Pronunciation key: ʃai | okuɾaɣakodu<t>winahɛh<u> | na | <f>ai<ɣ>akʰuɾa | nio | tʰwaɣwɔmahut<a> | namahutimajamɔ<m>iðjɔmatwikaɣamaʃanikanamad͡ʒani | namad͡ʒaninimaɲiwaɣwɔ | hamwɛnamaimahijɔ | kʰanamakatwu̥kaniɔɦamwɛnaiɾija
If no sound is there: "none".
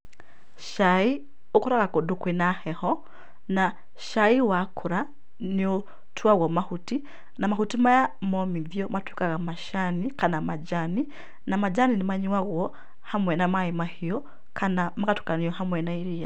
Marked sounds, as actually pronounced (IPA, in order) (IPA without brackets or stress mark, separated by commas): k, ɔ, ʃ, w, i, m